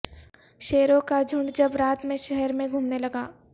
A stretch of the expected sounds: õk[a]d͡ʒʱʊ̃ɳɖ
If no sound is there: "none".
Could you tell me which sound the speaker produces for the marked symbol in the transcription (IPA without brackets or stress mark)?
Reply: a